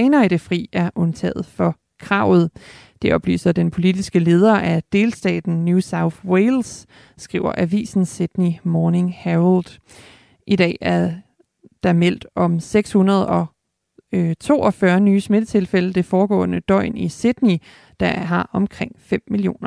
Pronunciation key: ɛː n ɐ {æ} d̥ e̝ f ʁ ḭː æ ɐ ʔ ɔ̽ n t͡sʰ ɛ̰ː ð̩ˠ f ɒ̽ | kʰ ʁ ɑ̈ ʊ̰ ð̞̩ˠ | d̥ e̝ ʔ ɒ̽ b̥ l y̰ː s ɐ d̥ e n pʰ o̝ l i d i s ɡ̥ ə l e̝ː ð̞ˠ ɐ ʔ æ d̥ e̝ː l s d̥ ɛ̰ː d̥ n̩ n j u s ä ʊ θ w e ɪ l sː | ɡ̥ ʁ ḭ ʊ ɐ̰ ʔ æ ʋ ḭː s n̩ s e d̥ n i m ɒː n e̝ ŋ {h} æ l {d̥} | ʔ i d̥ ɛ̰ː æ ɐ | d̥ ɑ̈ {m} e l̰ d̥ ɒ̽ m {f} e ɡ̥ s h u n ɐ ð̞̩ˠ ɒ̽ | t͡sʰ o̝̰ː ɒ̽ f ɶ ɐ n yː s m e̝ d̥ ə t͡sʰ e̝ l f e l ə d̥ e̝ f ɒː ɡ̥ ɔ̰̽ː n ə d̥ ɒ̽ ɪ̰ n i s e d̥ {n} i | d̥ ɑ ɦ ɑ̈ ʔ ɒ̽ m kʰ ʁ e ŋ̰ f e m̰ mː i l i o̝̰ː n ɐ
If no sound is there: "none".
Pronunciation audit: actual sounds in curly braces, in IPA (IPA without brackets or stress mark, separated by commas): i, h, d̥, m, s, n